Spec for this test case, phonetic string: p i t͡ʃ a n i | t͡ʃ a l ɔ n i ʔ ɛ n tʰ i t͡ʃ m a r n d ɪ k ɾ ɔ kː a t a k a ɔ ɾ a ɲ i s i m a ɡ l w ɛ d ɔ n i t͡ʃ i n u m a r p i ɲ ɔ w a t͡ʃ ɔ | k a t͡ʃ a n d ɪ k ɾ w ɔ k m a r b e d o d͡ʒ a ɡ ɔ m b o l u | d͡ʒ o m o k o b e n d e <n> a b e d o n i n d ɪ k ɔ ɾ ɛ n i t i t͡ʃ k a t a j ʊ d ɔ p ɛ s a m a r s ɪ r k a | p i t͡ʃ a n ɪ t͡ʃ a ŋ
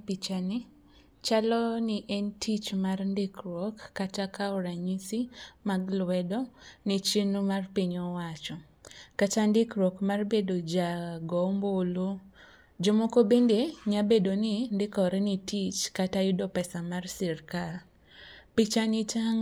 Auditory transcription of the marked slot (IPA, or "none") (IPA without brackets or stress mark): ɲ